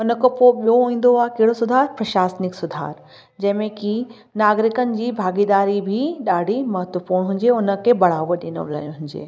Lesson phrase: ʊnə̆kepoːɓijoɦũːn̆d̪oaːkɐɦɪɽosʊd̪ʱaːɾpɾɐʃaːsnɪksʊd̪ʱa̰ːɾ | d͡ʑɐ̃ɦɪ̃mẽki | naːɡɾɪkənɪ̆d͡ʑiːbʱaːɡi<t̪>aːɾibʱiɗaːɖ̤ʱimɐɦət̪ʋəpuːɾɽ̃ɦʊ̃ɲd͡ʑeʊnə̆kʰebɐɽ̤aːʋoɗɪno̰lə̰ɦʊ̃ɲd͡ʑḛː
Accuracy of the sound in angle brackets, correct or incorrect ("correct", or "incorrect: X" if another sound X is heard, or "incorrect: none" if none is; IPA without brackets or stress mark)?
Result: incorrect: d̪